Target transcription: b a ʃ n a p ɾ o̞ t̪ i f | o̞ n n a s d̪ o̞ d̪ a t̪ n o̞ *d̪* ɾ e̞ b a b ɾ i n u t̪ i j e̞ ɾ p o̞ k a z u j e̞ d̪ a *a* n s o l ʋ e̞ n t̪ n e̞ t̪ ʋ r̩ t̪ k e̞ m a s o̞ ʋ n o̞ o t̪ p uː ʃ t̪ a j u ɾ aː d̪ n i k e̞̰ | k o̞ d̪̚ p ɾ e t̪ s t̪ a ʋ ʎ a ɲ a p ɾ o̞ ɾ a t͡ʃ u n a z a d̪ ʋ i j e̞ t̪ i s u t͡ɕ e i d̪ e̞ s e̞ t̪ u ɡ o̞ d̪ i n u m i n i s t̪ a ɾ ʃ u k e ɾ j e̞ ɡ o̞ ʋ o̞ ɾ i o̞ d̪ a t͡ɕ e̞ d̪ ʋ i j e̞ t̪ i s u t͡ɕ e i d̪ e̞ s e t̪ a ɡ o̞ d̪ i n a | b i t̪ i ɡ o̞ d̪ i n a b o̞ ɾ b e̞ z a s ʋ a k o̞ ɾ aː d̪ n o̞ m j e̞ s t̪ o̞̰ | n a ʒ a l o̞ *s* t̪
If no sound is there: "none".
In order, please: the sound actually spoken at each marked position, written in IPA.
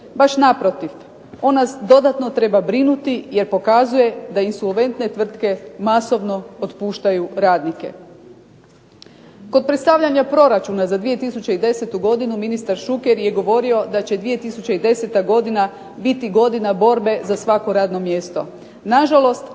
t̪, i, s

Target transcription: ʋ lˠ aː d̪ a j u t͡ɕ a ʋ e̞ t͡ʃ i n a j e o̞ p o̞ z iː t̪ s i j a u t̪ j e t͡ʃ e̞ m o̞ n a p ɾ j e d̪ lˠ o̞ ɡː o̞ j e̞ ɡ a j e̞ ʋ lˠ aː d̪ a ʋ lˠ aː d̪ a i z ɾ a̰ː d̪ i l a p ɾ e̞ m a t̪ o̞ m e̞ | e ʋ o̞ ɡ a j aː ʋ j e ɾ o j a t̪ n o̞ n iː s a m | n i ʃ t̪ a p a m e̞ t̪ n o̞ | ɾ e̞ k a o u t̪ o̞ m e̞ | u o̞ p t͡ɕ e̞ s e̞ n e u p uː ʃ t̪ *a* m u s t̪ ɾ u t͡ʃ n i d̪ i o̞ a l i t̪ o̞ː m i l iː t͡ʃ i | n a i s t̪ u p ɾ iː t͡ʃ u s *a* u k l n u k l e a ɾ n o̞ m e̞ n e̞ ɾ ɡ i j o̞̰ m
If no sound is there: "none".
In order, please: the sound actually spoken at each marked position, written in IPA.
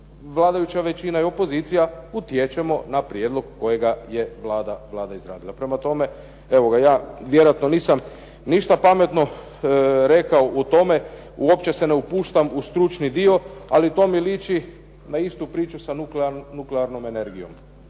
a, a

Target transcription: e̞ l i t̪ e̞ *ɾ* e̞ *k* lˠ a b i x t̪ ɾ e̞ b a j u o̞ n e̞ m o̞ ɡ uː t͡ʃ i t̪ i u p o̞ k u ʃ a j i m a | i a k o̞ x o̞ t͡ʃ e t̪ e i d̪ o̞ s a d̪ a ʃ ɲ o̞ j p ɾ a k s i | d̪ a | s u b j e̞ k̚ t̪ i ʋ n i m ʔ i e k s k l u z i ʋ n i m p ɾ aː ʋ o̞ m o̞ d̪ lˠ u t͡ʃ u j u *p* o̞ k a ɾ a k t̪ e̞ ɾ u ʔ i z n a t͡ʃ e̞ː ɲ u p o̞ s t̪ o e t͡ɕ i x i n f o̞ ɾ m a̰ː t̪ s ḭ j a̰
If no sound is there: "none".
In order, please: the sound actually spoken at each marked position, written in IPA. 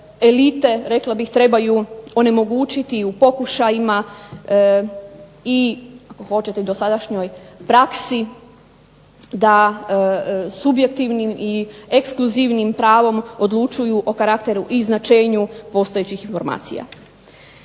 ɾ, k, ʔ

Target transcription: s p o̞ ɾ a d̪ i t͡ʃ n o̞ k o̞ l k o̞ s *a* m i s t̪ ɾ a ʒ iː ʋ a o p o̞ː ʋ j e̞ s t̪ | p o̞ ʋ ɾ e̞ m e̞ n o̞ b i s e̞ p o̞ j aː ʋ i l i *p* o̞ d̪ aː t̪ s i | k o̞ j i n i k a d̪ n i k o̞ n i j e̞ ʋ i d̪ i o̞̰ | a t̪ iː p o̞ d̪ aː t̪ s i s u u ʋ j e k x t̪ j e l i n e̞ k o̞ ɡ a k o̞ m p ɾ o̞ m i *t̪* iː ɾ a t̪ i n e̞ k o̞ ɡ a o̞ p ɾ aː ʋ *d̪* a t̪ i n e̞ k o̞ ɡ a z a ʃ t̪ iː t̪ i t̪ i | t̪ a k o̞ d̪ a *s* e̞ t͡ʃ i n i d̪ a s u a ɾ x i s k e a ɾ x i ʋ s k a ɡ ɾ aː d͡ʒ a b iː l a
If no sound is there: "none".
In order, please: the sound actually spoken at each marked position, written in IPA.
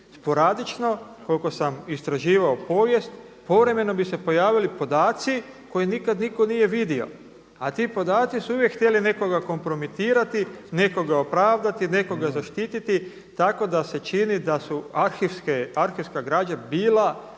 a, p, t̪, d̪, s

